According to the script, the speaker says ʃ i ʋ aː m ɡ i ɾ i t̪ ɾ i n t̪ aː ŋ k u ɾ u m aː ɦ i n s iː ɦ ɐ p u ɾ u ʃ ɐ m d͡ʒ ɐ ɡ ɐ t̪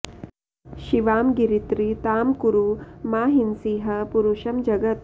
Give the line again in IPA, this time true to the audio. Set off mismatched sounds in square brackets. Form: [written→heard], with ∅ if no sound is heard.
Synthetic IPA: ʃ i ʋ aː m ɡ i ɾ i t̪ ɾ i [n→∅] t̪ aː [ŋ→m] k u ɾ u m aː ɦ i n s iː ɦ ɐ p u ɾ u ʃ ɐ m d͡ʒ ɐ ɡ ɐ t̪

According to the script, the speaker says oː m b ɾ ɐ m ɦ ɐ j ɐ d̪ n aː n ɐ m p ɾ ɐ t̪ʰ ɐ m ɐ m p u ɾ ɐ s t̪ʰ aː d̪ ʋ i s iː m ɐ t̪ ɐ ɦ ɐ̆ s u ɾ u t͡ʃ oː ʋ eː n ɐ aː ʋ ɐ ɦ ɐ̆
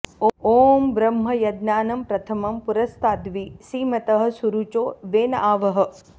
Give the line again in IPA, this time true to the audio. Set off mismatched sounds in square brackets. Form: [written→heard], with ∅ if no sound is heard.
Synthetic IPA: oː m b ɾ ɐ m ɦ ɐ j ɐ d̪ n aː n ɐ m p ɾ ɐ t̪ʰ ɐ m ɐ m p u ɾ ɐ s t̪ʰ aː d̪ ʋ i s iː m ɐ t̪ ɐ ɦ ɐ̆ s u ɾ u t͡ʃ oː ʋ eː n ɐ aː ʋ ɐ ɦ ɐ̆

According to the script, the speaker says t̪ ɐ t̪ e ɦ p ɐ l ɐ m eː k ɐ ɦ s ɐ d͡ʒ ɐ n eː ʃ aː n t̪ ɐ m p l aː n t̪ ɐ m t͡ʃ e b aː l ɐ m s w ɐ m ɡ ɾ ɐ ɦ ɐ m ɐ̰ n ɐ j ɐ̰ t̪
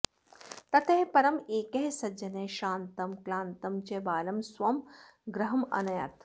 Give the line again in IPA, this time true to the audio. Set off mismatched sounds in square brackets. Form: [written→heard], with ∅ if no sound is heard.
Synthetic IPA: t̪ ɐ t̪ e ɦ p ɐ [l→ɾ] ɐ m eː k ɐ ɦ s ɐ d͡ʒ ɐ n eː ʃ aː n t̪ ɐ m [p→k] l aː n t̪ ɐ m t͡ʃ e b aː l ɐ m s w ɐ m ɡ ɾ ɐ ɦ ɐ m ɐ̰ n ɐ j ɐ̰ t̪

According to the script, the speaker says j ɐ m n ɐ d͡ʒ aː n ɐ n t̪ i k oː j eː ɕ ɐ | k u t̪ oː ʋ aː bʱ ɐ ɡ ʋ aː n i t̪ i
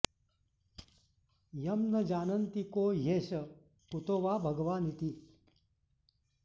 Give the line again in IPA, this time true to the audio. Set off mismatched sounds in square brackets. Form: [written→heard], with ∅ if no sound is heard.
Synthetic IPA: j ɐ m n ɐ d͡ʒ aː n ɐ n t̪ i k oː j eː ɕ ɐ | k u t̪ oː ʋ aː bʱ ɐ ɡ ʋ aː n i t̪ i

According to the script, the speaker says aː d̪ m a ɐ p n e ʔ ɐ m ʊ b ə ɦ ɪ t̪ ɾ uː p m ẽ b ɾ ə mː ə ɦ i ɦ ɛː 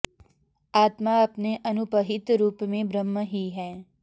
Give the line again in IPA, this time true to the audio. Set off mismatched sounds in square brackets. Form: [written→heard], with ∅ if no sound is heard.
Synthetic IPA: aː [d̪→t̪] m a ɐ p n e ʔ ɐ [m→n] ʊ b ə ɦ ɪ t̪ ɾ uː p m ẽ b ɾ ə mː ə ɦ i ɦ ɛː

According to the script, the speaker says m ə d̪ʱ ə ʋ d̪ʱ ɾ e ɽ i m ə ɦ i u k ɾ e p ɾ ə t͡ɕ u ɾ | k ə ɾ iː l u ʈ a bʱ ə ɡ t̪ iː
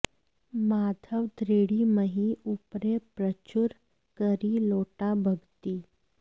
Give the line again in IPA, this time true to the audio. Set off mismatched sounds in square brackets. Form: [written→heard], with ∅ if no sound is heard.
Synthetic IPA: m [ə→a] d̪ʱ ə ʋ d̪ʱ ɾ e ɽ i m ə ɦ i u [k→p] ɾ e p ɾ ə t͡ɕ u ɾ | k ə ɾ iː l [u→o] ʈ a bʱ ə ɡ t̪ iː

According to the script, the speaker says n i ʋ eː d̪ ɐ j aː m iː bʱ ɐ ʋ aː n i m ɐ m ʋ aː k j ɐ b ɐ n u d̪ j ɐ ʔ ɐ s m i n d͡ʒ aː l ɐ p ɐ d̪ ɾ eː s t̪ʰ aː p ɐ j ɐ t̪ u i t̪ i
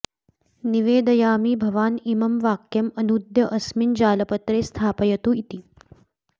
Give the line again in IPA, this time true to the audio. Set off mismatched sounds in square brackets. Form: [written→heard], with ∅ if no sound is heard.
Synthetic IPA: n i ʋ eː d̪ ɐ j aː m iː bʱ ɐ ʋ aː n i m ɐ m ʋ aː k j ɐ [b→m] ɐ n u d̪ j ɐ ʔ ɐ s m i n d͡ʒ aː l ɐ p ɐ [d̪→t̪] ɾ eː s t̪ʰ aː p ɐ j ɐ t̪ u i t̪ i

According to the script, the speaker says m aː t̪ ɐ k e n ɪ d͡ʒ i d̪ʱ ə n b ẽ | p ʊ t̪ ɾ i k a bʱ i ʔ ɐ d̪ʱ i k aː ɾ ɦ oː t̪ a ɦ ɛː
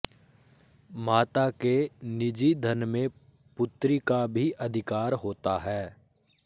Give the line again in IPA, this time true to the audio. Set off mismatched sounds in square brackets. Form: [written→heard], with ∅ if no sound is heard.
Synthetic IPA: m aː t̪ [ɐ→a] k e n ɪ d͡ʒ i d̪ʱ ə n [b→m] ẽ | p ʊ t̪ ɾ i k a bʱ i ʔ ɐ d̪ʱ [i→ɪ] k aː ɾ ɦ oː t̪ a ɦ ɛː

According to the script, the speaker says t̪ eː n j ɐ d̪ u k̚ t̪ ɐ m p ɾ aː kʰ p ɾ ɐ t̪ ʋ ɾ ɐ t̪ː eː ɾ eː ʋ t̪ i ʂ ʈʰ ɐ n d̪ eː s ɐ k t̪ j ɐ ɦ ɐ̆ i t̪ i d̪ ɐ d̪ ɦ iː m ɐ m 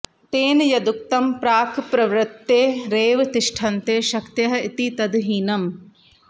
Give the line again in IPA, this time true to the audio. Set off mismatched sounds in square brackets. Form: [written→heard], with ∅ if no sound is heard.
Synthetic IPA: t̪ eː n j ɐ d̪ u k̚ t̪ ɐ m p ɾ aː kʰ p ɾ ɐ [t̪→∅] ʋ ɾ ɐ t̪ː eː ɾ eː ʋ t̪ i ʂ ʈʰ ɐ n [d̪→t̪] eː [s→ʃ] ɐ k t̪ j ɐ ɦ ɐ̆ i t̪ i [d̪→t̪] ɐ d̪ ɦ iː [m→n] ɐ m

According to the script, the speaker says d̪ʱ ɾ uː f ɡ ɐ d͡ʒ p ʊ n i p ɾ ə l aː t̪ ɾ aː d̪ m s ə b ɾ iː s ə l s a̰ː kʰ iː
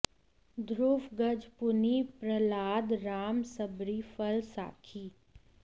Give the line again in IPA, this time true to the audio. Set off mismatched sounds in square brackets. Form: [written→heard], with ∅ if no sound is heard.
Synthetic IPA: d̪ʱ ɾ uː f ɡ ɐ d͡ʒ p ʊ n i p ɾ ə l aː [t̪→d̪] ɾ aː [d̪→∅] m s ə b ɾ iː [s→f] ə l s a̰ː kʰ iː

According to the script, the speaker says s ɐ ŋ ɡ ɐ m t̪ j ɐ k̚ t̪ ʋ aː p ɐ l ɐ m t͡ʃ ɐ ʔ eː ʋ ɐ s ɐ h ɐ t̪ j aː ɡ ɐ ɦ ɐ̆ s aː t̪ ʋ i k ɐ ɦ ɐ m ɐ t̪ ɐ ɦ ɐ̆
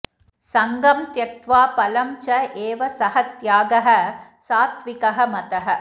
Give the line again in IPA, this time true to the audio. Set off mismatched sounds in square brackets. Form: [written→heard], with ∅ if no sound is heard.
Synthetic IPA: s ɐ ŋ ɡ ɐ m t̪ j ɐ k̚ t̪ ʋ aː p ɐ l ɐ m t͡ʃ ɐ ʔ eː ʋ ɐ s ɐ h ɐ t̪ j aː ɡ ɐ ɦ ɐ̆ s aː t̪ ʋ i k ɐ ɦ ɐ m ɐ t̪ ɐ ɦ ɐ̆

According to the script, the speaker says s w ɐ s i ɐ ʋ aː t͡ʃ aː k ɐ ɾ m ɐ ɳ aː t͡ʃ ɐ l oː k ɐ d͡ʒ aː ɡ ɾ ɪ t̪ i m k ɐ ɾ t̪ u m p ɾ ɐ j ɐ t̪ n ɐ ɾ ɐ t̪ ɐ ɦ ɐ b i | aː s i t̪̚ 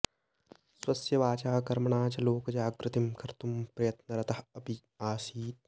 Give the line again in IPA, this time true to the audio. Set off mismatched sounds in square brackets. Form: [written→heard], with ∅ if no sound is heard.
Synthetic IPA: s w ɐ s [i→j] ɐ ʋ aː t͡ʃ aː k ɐ ɾ m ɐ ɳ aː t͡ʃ ɐ l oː k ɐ d͡ʒ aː ɡ ɾ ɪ t̪ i m k ɐ ɾ t̪ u m p ɾ ɐ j ɐ t̪ n ɐ ɾ ɐ t̪ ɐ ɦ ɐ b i | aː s [i→iː] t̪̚

